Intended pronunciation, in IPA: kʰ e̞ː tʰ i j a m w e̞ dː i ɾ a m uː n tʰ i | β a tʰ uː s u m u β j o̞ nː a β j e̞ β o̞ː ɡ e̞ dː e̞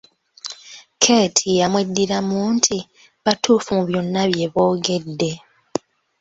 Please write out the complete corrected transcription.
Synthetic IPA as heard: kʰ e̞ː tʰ i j a m w e̞ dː i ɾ a m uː n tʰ i | β a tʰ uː f u m u β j o̞ nː a β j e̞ β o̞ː ɡ e̞ dː e̞